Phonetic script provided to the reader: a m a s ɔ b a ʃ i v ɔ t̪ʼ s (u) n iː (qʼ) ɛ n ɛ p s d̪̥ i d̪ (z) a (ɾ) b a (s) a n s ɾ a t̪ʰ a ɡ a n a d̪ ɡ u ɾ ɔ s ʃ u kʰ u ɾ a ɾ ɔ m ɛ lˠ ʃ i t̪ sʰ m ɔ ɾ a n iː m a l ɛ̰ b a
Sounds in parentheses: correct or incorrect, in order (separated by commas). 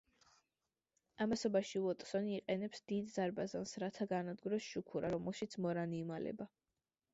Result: incorrect, correct, correct, correct, incorrect